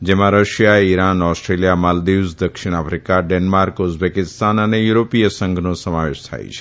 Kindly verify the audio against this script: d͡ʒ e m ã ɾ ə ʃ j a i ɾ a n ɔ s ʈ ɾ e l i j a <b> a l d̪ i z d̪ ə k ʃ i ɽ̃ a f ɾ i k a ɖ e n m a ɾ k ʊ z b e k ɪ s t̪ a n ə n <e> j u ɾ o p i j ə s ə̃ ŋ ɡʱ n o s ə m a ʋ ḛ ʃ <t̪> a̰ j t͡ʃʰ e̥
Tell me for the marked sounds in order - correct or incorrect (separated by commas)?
incorrect, correct, incorrect